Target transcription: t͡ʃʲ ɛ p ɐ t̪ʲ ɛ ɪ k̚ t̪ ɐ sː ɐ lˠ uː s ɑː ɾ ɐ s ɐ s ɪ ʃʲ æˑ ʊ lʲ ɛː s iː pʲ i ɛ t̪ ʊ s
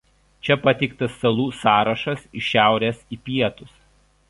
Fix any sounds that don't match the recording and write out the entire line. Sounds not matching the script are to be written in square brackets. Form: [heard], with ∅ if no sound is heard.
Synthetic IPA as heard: t͡ʃʲ ɛ p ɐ t̪ʲ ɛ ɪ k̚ t̪ ɐ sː ɐ lˠ uː s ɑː ɾ ɐ [ʃ] ɐ s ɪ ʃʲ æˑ ʊ [ɾʲ] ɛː s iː pʲ i ɛ t̪ ʊ s